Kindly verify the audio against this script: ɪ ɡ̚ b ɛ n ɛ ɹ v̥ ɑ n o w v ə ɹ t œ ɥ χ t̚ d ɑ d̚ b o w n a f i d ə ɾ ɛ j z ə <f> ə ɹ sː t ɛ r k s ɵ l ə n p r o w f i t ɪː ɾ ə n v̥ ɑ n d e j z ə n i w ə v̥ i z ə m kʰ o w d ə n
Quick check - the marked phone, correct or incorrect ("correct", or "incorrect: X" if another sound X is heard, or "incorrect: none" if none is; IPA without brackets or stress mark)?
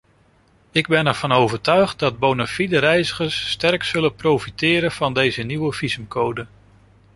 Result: incorrect: χ